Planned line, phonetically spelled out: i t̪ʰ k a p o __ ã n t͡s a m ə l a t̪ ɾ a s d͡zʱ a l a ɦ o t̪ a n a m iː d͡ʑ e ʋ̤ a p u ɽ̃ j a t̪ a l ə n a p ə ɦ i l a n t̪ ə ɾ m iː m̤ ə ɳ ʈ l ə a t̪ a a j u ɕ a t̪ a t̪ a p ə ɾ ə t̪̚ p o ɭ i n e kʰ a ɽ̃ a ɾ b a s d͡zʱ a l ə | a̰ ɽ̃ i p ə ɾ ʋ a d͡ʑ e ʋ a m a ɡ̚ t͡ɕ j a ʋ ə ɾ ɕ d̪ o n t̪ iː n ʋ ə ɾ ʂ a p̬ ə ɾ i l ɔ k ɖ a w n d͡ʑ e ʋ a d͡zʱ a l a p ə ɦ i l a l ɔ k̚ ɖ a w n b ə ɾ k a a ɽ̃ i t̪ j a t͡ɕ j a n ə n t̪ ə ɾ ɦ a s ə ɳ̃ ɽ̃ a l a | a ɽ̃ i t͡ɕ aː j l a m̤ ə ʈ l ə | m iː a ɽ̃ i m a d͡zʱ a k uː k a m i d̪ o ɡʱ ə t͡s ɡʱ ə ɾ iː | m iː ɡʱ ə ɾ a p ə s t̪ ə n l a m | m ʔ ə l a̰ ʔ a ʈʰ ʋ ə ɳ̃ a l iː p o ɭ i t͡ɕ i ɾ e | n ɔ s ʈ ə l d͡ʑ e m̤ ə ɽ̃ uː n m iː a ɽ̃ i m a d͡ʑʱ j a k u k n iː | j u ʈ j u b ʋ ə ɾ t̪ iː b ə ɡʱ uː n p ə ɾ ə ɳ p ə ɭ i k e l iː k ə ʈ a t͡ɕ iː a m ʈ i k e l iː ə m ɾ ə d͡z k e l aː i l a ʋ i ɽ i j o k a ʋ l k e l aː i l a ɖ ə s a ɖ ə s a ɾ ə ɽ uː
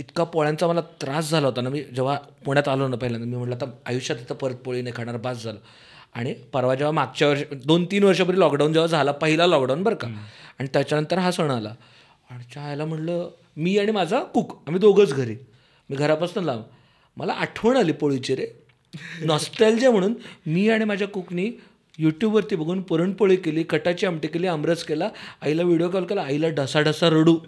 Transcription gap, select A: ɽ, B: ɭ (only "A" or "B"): B